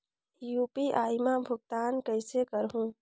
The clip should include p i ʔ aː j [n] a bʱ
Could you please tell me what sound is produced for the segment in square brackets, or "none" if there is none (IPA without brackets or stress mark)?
m